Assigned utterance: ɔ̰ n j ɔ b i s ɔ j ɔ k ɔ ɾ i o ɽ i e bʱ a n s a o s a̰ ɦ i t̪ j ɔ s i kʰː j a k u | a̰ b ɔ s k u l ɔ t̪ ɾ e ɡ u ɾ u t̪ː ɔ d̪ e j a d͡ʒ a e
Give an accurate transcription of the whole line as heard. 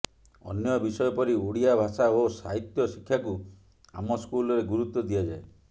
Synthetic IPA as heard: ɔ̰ n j ɔ b i s ɔ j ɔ p ɔ ɾ i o ɽ i a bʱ a s a o s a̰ ɦ i t̪ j ɔ s i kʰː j a k u | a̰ m ɔ s k u l ɔ ɾ e ɡ u ɾ u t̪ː ɔ d̪ i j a d͡ʒ a e

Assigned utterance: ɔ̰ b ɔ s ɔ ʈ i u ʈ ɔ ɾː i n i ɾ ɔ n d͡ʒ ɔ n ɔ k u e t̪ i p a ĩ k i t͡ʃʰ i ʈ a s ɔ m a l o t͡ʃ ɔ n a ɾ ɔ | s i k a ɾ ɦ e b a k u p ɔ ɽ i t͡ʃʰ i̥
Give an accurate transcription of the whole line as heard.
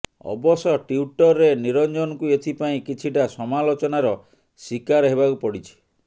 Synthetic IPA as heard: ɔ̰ b ɔ s ɔ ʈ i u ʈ ɔ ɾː e n i ɾ ɔ n d͡ʒ ɔ n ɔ k u e t̪ʰ i p a ĩ k i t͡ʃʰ i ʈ a s ɔ m a l o t͡ʃ ɔ n a ɾ ɔ | s i k a ɾ ɦ e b a k u p ɔ ɽ i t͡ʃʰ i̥

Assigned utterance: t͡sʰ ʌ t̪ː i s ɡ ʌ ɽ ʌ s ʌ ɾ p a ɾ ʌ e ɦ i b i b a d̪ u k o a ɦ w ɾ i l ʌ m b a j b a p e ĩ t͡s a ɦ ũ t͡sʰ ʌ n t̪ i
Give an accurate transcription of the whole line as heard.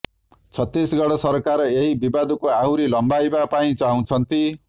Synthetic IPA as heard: t͡sʰ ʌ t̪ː i s ɡ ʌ ɽ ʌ s ʌ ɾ k a ɾ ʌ e ɦ i b i b a d̪ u k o a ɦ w ɾ i l ʌ m b a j b a p a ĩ t͡s a ɦ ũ t͡sʰ ʌ n t̪ i

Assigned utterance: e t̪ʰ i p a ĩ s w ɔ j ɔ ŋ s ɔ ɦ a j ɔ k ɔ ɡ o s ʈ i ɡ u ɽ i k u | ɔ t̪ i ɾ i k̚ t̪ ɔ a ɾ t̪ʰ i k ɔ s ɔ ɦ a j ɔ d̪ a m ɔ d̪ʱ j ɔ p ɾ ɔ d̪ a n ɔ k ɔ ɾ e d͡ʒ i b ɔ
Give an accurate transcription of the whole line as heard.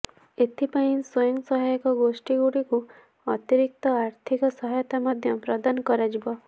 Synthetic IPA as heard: e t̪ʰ i p a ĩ s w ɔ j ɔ ŋ s ɔ ɦ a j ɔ k ɔ ɡ o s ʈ i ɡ u ɽ i k u | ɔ t̪ i ɾ i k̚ t̪ ɔ a ɾ t̪ʰ i k ɔ s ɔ ɦ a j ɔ t̪ a m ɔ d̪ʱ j ɔ p ɾ ɔ d̪ a n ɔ k ɔ ɾ a d͡ʒ i b ɔ

